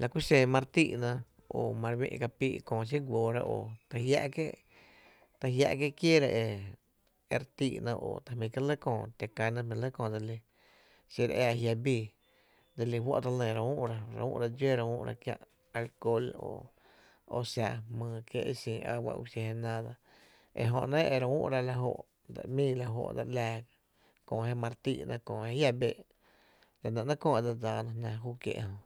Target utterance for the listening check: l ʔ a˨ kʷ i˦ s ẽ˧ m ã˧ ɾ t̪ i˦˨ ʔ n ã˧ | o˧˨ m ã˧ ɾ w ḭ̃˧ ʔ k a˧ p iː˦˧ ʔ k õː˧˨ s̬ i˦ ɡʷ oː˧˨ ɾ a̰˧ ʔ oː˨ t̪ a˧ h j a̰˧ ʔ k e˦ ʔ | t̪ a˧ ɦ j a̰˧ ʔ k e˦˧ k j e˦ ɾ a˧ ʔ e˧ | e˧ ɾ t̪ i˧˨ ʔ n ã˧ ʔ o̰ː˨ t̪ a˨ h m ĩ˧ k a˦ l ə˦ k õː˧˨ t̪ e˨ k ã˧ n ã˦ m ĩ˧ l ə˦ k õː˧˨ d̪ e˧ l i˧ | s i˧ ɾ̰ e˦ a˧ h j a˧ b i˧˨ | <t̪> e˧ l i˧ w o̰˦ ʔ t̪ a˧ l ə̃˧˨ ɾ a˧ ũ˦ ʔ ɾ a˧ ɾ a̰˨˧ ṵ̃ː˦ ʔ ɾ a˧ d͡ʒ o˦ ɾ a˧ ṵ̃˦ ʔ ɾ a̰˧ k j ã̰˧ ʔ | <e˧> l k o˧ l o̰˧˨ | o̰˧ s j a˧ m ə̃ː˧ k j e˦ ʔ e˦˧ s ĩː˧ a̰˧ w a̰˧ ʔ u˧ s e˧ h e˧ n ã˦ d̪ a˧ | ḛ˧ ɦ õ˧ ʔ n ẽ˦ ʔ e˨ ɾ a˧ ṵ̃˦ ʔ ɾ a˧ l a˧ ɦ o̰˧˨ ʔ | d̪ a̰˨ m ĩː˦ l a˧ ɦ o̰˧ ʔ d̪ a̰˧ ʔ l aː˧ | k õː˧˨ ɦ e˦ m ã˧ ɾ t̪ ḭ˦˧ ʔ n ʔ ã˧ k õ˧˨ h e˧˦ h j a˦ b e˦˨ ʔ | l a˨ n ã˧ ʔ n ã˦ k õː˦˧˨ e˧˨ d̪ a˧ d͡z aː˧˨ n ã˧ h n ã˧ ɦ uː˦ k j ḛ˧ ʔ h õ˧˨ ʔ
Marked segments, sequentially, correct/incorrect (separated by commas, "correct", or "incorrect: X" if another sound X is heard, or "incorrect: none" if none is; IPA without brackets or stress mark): incorrect: d̪, incorrect: a˧